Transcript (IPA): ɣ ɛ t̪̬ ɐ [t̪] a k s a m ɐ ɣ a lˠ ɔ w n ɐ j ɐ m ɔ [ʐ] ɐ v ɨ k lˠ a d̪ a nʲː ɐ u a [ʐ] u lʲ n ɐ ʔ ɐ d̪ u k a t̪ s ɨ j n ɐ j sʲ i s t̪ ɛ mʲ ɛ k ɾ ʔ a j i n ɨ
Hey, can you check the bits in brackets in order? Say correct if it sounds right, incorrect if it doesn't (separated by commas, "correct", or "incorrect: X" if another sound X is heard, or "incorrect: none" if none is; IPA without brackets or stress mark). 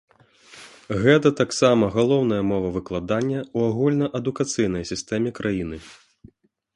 correct, incorrect: v, incorrect: ɣ